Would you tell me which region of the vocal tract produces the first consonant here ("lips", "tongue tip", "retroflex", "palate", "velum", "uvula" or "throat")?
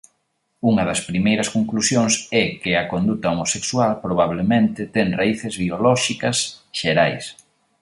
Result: velum